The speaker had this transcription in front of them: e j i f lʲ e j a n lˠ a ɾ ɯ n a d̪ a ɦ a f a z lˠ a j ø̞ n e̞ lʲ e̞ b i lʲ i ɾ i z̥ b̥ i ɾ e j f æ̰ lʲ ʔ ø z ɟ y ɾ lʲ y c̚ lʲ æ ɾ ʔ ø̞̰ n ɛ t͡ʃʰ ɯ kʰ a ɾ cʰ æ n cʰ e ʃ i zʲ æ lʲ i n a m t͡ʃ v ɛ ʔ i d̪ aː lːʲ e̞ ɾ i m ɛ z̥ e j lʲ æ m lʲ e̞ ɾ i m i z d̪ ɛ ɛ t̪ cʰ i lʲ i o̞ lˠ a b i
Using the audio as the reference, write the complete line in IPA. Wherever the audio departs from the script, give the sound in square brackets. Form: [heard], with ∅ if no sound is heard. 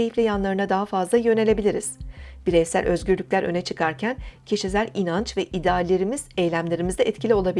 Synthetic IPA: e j i f lʲ e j a n lˠ a ɾ ɯ n a d̪ a ɦ a f a z lˠ a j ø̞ n e̞ lʲ e̞ b i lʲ i ɾ i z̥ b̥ i ɾ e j [s] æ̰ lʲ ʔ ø z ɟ y ɾ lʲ y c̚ lʲ æ ɾ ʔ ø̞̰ n ɛ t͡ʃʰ ɯ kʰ a ɾ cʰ æ n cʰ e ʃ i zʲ æ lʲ i n a [n] t͡ʃ v ɛ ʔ i d̪ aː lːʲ e̞ ɾ i m [i] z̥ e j lʲ æ m lʲ e̞ ɾ i m i z d̪ ɛ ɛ t̪ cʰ i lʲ i o̞ lˠ a b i

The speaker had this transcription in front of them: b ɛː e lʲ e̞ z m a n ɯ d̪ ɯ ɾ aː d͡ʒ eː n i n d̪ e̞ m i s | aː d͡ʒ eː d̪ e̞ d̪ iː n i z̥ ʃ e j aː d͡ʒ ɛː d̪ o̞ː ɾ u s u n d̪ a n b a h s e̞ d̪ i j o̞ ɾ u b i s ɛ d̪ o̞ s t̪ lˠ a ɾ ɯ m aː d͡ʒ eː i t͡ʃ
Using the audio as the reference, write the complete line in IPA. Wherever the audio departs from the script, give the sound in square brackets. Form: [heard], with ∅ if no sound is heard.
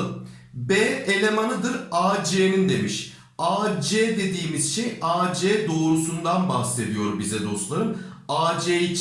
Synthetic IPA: b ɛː e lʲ e̞ [∅] m a n ɯ d̪ ɯ ɾ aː d͡ʒ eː n i n d̪ e̞ m i [ʃ] | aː d͡ʒ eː d̪ e̞ d̪ iː [m] i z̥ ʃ e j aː d͡ʒ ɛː d̪ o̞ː ɾ u s u n d̪ a n b a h s e̞ d̪ i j o̞ ɾ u b i [z] ɛ d̪ o̞ s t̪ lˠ a ɾ ɯ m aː d͡ʒ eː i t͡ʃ

